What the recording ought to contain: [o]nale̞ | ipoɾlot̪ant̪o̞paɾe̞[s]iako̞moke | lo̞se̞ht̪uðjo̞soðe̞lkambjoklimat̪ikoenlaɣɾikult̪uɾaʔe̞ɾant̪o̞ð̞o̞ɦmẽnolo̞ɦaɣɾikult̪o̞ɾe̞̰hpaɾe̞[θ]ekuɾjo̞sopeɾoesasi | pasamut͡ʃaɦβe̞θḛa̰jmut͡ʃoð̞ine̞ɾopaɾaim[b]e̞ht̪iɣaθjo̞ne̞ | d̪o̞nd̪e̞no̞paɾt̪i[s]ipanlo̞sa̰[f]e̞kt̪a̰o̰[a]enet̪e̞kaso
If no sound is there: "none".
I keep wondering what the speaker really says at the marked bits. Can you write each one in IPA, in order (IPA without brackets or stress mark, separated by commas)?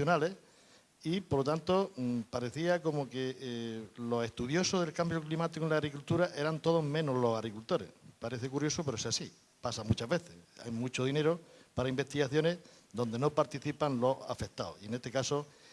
o, θ, θ, b, θ, f, i